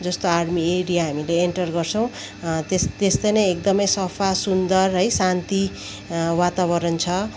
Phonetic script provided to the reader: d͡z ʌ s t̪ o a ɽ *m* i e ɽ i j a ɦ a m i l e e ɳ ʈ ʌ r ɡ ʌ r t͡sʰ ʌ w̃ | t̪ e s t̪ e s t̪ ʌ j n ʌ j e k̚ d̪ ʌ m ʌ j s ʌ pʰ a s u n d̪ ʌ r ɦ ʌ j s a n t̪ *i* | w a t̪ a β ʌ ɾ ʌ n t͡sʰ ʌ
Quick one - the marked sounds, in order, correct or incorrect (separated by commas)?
correct, correct